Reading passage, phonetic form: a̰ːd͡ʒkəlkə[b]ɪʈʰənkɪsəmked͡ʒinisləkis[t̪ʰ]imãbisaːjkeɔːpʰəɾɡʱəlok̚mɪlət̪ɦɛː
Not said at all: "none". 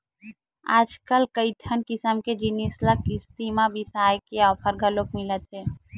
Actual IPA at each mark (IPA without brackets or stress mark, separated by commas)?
none, t̪